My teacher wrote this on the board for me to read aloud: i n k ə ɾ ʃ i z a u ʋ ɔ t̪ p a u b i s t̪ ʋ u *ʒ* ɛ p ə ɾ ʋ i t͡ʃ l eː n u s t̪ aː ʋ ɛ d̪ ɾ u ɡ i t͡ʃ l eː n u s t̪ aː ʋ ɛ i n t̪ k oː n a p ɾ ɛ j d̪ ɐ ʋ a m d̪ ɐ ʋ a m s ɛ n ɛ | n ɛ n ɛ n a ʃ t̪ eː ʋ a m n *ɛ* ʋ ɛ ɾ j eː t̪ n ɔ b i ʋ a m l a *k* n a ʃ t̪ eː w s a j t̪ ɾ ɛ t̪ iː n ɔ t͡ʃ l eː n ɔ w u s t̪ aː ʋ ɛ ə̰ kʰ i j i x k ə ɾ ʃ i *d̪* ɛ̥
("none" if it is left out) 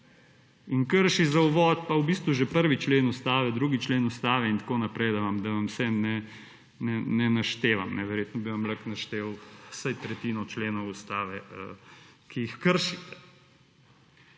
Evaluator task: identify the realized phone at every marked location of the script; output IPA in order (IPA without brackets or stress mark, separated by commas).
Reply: ʒ, ɛ, k, t̪